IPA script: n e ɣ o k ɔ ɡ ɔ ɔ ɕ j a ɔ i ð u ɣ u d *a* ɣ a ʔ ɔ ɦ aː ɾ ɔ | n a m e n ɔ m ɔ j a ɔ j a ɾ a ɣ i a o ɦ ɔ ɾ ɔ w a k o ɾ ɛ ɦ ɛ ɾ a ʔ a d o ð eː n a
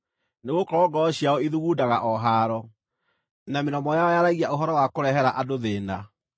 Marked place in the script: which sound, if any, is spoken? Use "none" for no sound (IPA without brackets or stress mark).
a